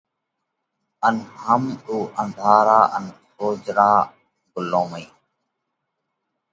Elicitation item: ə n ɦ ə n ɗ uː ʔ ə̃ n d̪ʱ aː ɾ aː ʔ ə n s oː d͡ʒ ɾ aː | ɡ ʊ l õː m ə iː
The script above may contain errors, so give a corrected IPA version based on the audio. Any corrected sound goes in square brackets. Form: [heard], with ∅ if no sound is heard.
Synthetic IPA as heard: ə n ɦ ə [m] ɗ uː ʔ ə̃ n d̪ʱ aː ɾ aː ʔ ə n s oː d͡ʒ ɾ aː | ɡ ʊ l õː m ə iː